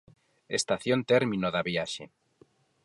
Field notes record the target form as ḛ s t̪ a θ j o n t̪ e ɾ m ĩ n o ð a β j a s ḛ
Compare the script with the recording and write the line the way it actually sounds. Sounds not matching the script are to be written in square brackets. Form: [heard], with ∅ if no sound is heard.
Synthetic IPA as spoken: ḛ s t̪ a θ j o n t̪ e ɾ m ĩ n o ð a β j a [ʃ] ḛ